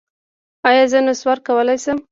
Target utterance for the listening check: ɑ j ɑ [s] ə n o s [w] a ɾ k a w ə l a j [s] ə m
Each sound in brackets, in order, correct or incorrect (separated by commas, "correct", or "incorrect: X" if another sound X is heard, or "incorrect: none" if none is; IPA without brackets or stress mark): incorrect: z, correct, correct